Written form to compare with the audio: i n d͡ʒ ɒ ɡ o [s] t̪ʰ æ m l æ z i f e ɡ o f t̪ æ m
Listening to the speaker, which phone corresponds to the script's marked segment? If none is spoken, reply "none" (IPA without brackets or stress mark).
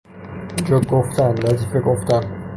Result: f